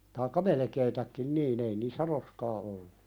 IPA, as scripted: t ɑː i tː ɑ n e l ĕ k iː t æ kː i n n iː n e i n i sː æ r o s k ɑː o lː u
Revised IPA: t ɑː i kː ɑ m e l ĕ k eː t æ kː i n n iː n e i n iː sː æ r o s k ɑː o lː u